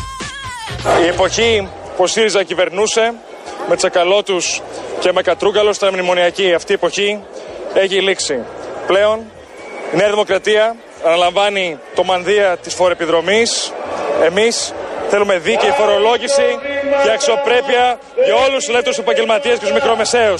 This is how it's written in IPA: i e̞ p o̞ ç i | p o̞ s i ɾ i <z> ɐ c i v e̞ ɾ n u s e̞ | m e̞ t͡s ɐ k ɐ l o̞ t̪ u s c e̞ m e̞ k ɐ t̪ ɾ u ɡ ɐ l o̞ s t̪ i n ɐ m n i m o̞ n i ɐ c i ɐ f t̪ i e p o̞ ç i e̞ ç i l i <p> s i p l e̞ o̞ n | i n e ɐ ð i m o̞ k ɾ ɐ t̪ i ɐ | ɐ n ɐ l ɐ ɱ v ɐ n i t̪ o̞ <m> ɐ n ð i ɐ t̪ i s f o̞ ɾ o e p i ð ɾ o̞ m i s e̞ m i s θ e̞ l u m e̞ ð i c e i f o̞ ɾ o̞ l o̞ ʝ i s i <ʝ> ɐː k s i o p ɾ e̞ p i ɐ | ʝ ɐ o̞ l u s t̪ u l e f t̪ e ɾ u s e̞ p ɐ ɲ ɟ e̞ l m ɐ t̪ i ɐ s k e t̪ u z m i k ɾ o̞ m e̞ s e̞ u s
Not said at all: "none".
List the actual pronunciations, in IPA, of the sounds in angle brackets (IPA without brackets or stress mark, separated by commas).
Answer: z, k, m, ʝ